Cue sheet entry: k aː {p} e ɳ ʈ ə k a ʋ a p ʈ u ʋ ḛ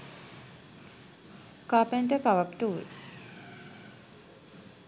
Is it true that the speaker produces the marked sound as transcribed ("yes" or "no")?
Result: yes